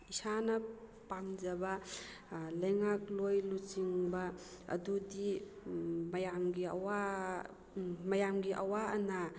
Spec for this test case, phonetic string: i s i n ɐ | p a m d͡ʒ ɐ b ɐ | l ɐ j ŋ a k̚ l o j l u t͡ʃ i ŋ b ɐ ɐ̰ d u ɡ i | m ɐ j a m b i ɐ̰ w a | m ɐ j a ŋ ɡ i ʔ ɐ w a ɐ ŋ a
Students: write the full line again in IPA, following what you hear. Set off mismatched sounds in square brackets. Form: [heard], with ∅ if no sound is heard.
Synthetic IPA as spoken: i s [a] n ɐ | p a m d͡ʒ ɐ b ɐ | l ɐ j ŋ a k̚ l o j l u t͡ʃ i ŋ b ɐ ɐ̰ d u [d] i | m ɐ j a m [ɡ] i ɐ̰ w a | m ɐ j a [m] ɡ i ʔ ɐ w a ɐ [n] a

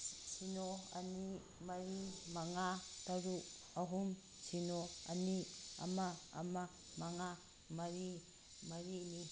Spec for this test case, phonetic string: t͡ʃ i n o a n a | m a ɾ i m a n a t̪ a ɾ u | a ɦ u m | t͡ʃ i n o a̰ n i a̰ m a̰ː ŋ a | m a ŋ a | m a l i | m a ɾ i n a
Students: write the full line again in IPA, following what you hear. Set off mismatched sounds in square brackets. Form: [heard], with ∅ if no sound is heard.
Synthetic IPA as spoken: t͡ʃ i n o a n [i] | m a ɾ i m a [ŋ] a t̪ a ɾ u | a ɦ u m | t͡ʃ i n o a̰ n i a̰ m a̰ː [m] a | m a ŋ a | m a [ɾ] i | m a ɾ i n [i]

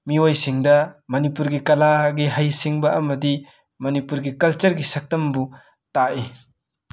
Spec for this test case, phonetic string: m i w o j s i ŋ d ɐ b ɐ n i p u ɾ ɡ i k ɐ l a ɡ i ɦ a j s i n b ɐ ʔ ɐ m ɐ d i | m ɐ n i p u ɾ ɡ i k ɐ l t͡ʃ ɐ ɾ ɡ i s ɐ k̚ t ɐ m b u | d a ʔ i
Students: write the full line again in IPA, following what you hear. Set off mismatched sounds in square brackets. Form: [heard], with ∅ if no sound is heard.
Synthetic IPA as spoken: m i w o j s i ŋ d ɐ [m] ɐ n i p u ɾ ɡ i k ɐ l a ɡ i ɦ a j s i [ŋ] b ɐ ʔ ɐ m ɐ d i | m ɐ n i p u ɾ ɡ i k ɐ l t͡ʃ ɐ ɾ ɡ i s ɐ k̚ t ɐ m b u | [t] a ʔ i

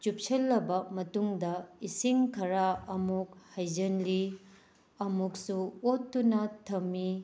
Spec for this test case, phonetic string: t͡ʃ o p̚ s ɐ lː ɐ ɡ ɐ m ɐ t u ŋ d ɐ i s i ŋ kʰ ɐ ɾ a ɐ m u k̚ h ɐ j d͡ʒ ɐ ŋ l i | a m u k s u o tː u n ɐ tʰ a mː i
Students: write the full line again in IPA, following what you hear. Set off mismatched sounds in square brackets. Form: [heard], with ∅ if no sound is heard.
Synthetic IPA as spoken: t͡ʃ [u] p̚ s ɐ lː ɐ [b] ɐ m ɐ t u ŋ d ɐ i s i ŋ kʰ ɐ ɾ a ɐ m u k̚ h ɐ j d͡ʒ ɐ [n] l i | [ɐ] m u k s u o tː u n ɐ tʰ [ɐ] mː i

